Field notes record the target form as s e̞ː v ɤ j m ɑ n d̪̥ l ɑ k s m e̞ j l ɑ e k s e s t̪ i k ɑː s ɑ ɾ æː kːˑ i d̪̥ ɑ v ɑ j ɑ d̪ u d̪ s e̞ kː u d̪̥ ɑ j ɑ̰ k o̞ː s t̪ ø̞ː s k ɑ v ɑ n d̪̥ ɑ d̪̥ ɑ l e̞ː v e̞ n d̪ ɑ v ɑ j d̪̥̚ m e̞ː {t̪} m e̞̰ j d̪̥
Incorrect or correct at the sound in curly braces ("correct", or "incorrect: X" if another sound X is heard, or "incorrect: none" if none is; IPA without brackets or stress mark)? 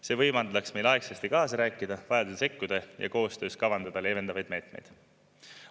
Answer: correct